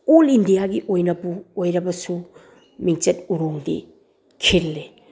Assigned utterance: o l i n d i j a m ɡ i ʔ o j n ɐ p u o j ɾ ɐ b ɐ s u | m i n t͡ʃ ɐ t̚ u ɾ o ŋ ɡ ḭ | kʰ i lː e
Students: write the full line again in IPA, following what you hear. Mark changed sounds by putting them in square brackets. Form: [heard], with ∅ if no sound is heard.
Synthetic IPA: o l i n d i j a [∅] ɡ i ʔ o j n ɐ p u o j ɾ ɐ b ɐ s u | m i [ŋ] t͡ʃ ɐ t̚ u ɾ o ŋ [d] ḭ | kʰ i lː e